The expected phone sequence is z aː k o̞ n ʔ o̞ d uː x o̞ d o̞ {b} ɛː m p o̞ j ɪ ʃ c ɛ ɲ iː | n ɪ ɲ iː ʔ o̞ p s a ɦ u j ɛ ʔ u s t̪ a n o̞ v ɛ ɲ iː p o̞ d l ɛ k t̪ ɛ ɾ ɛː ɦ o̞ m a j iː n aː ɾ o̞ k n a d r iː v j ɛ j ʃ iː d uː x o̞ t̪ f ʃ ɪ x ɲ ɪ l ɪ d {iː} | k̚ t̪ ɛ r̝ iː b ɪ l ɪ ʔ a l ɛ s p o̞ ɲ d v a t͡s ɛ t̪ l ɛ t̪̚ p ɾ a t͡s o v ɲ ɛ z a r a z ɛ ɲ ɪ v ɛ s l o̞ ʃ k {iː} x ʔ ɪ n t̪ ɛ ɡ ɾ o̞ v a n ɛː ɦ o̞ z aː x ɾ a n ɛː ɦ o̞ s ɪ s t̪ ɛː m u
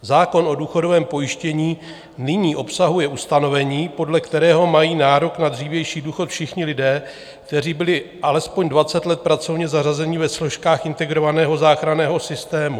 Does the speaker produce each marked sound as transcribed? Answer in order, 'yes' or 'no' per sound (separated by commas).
no, no, no